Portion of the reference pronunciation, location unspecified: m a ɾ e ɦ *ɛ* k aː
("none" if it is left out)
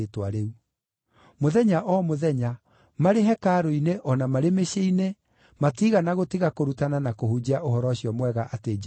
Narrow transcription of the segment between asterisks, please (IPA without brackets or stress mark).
ɛ